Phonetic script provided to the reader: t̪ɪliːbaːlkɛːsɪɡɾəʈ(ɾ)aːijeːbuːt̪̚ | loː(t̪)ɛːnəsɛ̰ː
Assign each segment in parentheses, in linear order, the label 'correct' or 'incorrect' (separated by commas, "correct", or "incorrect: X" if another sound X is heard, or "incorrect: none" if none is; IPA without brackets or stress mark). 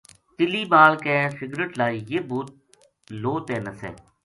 incorrect: l, correct